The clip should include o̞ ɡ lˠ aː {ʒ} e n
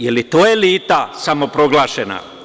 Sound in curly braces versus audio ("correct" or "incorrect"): incorrect